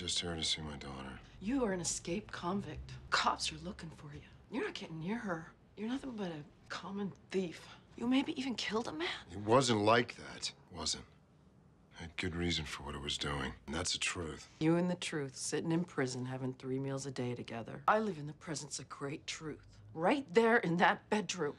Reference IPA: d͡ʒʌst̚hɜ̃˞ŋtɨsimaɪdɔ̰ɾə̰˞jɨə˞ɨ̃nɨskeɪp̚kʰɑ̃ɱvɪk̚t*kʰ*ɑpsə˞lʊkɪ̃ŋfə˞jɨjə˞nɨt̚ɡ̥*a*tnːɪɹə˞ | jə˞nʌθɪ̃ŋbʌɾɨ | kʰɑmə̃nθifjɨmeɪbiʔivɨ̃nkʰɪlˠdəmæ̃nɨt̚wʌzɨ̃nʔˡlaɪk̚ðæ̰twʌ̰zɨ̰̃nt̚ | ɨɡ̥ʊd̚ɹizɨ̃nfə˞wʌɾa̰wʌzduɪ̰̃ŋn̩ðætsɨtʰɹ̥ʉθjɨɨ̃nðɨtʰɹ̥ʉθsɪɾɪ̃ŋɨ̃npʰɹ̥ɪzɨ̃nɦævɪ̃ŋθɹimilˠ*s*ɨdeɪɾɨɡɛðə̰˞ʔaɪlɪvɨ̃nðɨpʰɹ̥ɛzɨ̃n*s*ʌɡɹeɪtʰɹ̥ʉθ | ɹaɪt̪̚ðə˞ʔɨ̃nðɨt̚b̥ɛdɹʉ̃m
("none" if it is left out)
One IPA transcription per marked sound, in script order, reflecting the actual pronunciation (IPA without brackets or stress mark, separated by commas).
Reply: kʰ, ɛ, z, s